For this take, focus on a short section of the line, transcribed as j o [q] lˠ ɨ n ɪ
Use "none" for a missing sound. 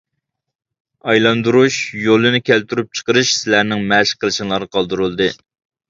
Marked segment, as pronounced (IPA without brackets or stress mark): none